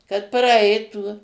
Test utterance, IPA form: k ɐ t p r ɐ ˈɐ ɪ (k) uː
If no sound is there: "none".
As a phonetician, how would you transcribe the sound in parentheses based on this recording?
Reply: t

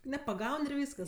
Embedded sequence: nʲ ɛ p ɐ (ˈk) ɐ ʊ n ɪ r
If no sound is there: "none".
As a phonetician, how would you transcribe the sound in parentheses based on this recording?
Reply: ɡ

